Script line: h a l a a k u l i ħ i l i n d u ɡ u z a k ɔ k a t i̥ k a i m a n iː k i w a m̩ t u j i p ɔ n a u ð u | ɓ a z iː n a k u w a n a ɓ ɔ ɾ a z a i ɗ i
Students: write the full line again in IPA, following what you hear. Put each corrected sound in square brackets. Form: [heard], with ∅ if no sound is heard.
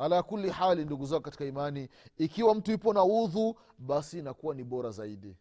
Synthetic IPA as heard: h a l a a k u l i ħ [a] l i n d u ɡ u z a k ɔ k a t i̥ k a i m a n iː k i w a m̩ t u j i p ɔ n a u ð u | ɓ a [s] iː n a k u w a n [i] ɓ ɔ ɾ a z a i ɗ i